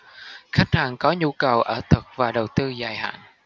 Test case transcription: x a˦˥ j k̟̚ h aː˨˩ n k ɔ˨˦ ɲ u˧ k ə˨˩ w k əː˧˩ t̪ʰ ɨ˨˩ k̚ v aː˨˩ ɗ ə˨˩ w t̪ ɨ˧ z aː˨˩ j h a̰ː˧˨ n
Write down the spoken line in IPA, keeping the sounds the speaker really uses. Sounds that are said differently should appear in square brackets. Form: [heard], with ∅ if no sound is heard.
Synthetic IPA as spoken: x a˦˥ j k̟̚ h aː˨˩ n k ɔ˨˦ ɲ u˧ k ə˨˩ w [ʔ] əː˧˩ t̪ʰ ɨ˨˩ k̚ v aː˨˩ ɗ ə˨˩ w t̪ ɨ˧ z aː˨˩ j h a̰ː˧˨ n